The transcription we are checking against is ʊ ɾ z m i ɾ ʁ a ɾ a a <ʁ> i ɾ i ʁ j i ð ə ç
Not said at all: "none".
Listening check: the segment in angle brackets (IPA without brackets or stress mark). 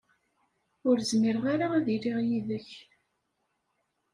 ð